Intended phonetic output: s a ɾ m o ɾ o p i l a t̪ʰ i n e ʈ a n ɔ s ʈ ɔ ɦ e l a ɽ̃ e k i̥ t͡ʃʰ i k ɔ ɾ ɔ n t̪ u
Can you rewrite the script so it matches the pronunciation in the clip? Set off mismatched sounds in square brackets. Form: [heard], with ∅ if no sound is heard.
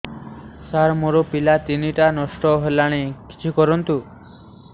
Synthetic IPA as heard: s a ɾ m o ɾ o p i l a [t̪] i n [i] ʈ a n ɔ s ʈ ɔ ɦ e l a ɽ̃ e k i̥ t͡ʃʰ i k ɔ ɾ ɔ n t̪ u